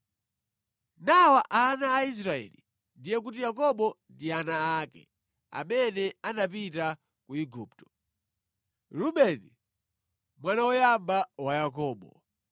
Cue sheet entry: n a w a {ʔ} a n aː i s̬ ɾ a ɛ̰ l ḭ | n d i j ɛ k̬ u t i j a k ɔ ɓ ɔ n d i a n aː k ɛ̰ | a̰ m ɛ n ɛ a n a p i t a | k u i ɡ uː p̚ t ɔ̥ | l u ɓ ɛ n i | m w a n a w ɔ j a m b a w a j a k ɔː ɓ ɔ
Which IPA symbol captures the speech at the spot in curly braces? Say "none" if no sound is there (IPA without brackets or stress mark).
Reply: ʔ